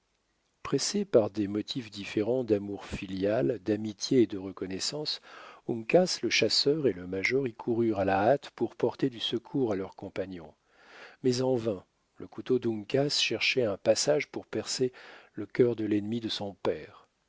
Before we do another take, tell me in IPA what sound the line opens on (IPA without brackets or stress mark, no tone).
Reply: p